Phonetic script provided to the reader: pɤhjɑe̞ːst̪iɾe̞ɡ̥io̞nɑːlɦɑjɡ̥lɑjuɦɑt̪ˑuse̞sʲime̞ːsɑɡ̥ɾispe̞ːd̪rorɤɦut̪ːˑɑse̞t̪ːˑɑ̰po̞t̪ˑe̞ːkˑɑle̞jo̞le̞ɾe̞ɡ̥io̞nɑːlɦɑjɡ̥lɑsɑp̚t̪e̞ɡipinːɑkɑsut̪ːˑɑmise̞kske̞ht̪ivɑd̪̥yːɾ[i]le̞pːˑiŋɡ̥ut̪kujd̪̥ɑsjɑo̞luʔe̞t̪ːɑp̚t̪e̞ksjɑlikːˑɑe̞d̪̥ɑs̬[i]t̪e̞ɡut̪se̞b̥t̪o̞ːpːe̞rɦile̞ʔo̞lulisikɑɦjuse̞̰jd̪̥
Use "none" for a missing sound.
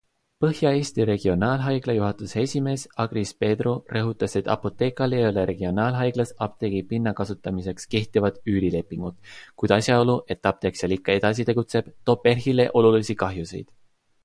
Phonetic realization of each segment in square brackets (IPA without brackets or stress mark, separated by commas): i, i